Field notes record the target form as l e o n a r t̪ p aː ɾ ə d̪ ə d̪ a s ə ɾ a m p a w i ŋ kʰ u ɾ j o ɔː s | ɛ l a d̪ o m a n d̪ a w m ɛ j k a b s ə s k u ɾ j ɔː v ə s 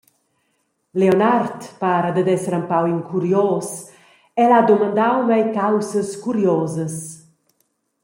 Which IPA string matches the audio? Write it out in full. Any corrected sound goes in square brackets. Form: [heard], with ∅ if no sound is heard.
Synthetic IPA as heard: l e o n a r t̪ p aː ɾ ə d̪ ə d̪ [ɛ] s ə ɾ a m p a w i ŋ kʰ u ɾ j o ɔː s | ɛ l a d̪ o m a n d̪ a w m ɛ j k a [w] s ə s k u ɾ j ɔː [z] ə s